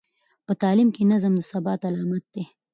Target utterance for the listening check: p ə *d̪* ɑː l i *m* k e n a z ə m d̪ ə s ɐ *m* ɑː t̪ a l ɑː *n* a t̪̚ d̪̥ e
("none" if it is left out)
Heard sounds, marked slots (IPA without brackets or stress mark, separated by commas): t̪, m, b, m